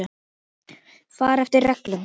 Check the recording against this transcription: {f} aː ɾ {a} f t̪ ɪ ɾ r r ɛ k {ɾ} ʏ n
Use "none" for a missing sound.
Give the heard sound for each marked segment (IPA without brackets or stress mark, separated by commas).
f, ɛ, l